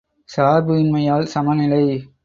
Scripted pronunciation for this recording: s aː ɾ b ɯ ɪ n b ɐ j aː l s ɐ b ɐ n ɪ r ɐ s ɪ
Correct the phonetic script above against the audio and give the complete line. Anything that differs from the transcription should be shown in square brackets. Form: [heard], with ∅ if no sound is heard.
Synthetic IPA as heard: s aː ɾ b ɯ ɪ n [m] ɐ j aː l s ɐ [m] ɐ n ɪ [l] ɐ [∅] ɪ